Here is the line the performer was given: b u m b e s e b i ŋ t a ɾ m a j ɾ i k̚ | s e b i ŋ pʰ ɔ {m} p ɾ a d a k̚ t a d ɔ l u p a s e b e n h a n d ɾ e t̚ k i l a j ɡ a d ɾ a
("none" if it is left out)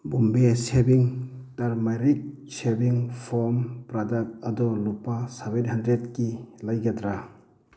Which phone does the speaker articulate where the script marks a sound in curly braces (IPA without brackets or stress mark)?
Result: m